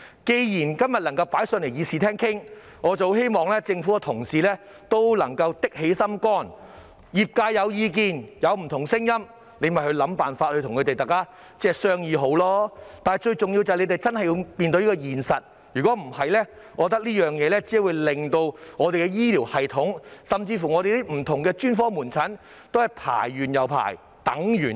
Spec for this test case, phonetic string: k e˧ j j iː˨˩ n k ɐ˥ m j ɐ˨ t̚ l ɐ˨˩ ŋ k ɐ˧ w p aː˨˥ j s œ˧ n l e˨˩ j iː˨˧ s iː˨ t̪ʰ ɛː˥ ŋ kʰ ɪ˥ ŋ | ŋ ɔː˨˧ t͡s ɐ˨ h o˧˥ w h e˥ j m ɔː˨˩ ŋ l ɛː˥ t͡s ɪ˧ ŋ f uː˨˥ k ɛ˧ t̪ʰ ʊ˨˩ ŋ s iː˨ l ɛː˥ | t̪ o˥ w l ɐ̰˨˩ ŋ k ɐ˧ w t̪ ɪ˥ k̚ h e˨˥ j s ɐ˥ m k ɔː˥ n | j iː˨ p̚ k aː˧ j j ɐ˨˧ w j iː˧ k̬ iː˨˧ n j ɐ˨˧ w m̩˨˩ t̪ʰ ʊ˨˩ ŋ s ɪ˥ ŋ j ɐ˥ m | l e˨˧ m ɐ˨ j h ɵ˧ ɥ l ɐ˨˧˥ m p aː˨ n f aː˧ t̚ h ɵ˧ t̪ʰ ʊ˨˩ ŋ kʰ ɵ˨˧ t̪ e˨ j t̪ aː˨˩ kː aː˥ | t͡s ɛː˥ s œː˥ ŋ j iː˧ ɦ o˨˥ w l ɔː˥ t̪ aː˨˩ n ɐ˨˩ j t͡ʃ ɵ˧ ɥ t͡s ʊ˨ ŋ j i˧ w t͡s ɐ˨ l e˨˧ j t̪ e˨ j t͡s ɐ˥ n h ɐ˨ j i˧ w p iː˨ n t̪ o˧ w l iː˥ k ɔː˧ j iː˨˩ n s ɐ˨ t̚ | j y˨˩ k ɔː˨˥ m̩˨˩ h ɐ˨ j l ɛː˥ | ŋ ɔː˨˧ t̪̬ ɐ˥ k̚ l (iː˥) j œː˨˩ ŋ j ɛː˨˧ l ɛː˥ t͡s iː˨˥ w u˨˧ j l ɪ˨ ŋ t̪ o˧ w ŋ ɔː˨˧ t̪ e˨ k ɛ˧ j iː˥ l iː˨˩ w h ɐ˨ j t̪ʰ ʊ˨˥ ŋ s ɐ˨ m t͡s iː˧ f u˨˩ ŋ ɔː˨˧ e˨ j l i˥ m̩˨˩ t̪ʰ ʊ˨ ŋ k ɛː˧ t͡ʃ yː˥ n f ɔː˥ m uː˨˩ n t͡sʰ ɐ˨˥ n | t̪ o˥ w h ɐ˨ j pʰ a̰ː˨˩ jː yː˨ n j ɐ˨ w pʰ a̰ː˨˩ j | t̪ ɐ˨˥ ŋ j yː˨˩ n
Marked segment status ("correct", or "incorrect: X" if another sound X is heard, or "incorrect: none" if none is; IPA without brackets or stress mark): correct